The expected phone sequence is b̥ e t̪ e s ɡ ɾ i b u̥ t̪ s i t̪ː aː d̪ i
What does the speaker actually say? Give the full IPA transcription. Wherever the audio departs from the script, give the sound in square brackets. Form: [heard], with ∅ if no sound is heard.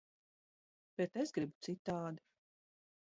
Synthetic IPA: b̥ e t̪ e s ɡ ɾ i b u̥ t̪ s i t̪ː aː d̪ i